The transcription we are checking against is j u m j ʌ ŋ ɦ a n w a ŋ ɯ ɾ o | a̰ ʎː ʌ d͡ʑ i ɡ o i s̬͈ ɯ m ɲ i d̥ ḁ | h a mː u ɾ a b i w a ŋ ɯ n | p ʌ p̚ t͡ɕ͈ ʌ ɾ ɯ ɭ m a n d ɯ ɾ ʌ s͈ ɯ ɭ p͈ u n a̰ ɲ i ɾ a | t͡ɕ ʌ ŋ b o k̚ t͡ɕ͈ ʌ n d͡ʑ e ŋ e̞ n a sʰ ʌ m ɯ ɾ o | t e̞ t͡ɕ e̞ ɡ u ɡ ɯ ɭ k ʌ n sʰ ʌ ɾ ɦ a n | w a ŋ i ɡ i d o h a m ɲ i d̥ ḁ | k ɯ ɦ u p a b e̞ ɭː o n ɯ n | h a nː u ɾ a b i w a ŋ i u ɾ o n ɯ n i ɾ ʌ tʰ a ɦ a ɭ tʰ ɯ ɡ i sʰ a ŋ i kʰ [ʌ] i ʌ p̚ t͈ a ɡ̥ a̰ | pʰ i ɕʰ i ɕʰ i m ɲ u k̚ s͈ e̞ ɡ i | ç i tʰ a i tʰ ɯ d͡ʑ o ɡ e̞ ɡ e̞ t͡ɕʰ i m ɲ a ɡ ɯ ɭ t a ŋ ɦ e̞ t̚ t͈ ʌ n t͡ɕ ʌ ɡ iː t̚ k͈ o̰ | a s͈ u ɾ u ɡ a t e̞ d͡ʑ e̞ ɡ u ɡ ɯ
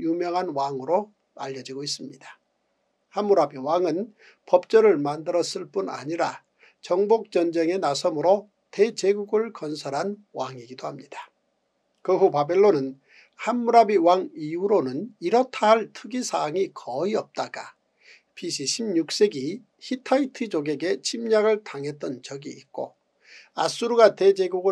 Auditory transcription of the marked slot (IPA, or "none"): ʌ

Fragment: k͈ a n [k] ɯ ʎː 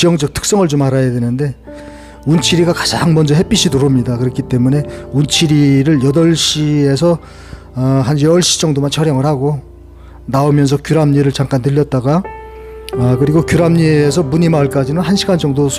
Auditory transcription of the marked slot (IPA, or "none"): t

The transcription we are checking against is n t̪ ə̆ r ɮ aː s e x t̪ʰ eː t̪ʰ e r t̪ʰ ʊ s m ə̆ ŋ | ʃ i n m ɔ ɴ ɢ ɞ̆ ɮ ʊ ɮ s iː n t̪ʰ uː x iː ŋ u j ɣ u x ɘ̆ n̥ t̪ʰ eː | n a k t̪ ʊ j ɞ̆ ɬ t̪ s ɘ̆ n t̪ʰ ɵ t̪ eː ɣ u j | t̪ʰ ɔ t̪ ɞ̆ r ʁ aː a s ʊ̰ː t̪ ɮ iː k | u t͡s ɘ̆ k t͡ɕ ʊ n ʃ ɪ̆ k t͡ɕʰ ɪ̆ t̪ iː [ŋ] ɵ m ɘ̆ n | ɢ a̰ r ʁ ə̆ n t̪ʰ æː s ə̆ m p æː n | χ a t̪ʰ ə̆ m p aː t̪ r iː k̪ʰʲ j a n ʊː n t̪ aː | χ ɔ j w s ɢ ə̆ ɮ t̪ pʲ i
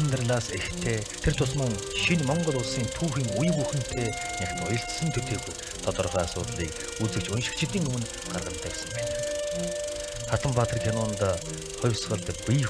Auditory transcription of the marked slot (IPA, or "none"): ŋ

